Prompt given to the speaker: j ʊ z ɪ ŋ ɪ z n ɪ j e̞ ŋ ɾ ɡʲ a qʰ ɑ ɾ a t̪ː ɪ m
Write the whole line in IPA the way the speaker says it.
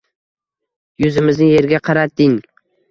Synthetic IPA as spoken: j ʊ z ɪ m ɪ z n ɪ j e̞ ɾ ɡʲ a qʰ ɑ ɾ a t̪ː ɪ ŋ

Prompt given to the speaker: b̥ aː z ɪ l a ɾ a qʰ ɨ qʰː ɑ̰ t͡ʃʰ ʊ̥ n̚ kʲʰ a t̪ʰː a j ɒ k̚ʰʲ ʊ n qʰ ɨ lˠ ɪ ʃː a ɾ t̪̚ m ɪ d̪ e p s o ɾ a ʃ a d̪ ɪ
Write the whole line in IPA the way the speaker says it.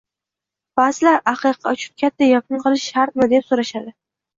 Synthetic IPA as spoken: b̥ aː z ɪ l a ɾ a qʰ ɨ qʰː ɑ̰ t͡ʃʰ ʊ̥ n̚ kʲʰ a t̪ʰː a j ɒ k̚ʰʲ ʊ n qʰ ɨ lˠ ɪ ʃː a ɾ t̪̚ m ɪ d̪ e p s o ɾ a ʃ a d̪ ɪ

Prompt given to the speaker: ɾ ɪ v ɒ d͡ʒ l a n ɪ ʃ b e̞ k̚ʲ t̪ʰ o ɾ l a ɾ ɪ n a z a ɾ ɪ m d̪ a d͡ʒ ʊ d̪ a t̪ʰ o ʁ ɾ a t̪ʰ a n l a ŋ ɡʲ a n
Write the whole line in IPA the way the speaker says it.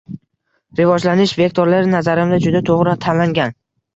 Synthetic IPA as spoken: ɾ ɪ v ɒ d͡ʒ l a n ɪ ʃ v e̞ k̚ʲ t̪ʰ o ɾ l a ɾ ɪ n a z a ɾ ɪ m d̪ a d͡ʒ ʊ d̪ a t̪ʰ o ʁ ɾ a t̪ʰ a n l a ŋ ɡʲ a n

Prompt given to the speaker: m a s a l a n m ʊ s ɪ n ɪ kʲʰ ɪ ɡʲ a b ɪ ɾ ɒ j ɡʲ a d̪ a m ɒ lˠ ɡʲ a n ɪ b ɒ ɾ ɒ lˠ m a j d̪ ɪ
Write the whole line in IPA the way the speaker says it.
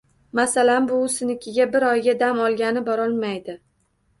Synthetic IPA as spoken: m a s a l a n b ʊ s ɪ n ɪ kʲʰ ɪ ɡʲ a b ɪ ɾ ɒ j ɡʲ a d̪ a m ɒ lˠ ɡʲ a n ɪ b ɒ ɾ ɒ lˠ m a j d̪ ɪ

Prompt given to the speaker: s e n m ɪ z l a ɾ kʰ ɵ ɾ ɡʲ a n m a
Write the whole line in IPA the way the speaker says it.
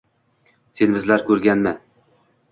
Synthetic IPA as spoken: s e n b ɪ z l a ɾ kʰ ɵ ɾ ɡʲ a n m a

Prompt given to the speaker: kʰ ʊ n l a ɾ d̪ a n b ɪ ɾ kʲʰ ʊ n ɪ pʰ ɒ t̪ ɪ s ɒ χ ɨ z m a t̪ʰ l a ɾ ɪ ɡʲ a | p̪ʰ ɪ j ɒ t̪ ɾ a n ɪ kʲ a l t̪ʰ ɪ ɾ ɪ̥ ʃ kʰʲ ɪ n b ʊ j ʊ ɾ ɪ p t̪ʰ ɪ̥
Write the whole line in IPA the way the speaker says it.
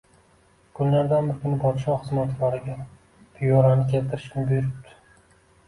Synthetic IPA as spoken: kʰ ʊ n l a ɾ d̪ a n b ɪ ɾ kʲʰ ʊ n ɪ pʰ ɒ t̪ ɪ ʃ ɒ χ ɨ z m a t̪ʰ l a ɾ ɪ ɡʲ a | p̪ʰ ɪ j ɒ ɾ a n ɪ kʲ e l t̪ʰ ɪ ɾ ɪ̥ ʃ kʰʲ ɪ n b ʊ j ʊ ɾ ɪ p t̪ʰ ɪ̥

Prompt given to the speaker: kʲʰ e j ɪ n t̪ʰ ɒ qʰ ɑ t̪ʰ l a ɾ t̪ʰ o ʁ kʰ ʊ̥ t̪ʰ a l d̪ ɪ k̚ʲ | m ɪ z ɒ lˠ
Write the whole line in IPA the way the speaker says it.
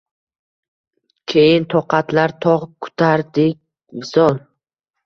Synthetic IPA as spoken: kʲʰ e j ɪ n t̪ʰ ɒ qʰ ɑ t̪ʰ l a ɾ t̪ʰ ɒ ʁ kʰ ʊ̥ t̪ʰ a ɾ d̪ ɪ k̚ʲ | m ɪ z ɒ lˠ

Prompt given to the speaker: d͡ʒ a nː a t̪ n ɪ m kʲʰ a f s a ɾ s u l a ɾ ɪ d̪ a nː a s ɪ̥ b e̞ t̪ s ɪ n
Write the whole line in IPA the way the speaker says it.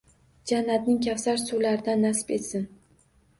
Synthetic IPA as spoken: d͡ʒ a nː a t̪ n ɪ ŋ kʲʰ a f s a ɾ s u l a ɾ ɪ d̪ a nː a s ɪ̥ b e̞ t̪ s ɪ n

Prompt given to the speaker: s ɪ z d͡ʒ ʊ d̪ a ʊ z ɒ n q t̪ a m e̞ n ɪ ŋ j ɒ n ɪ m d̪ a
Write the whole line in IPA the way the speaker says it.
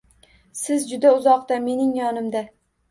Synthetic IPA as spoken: s ɪ z d͡ʒ ʊ d̪ a ʊ z ɒ q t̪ a m e̞ n ɪ ŋ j ɒ n ɪ m d̪ a

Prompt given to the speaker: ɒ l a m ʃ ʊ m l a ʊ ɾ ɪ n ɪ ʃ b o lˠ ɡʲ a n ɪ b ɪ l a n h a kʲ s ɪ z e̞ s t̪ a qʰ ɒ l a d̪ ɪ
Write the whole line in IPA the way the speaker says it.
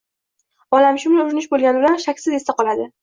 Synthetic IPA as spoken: ɒ l a m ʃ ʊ m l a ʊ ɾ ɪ n ɪ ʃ b o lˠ ɡʲ a n ɪ b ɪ l a n ʃ a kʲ s ɪ z e̞ s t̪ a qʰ ɒ l a d̪ ɪ

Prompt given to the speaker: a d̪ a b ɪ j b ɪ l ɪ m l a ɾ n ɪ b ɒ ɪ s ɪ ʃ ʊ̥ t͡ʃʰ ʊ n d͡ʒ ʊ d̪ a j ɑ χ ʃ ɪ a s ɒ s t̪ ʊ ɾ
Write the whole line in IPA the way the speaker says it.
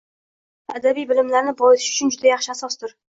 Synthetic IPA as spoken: a d̪ a b i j b ɪ l ɪ m l a ɾ n ɪ b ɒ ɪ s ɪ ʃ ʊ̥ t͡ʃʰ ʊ n d͡ʒ ʊ d̪ a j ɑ χ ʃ ɪ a s ɒ s t̪ ʊ ɾ

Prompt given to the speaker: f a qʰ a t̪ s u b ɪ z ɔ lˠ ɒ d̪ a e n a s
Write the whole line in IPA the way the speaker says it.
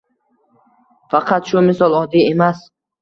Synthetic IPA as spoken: f a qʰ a t̪ ʃ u m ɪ s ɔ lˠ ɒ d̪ i e m a s

